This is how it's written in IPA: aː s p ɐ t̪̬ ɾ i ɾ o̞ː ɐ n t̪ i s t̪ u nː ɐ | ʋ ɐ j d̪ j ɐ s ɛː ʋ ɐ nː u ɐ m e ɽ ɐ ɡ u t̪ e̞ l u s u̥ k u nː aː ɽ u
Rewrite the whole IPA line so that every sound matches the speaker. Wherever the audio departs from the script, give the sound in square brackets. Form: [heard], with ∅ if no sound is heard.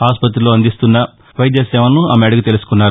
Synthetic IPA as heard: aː s p ɐ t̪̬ ɾ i [l] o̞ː ɐ n [d̪] i s t̪ u nː ɐ | ʋ ɐ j d̪ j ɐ s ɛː ʋ ɐ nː u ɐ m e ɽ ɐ ɡ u t̪ e̞ l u s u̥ k u nː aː [ɾ] u